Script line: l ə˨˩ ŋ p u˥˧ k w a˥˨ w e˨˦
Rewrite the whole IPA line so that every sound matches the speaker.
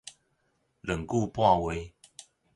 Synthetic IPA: l ə˨˩ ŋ k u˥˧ p w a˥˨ w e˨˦